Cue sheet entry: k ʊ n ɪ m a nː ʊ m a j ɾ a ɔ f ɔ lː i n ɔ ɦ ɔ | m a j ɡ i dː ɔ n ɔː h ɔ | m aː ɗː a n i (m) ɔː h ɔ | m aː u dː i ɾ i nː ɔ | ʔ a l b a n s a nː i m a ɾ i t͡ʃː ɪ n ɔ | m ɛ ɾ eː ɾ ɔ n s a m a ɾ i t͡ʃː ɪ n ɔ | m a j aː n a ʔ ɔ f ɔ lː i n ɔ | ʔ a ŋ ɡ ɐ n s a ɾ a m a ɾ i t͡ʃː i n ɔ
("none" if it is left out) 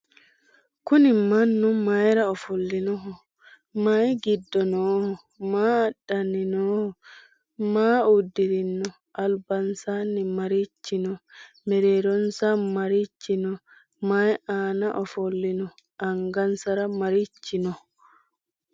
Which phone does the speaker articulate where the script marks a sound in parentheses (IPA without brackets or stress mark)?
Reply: n